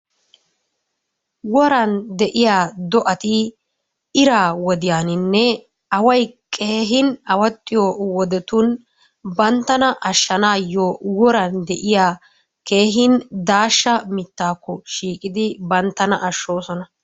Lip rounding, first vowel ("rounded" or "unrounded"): rounded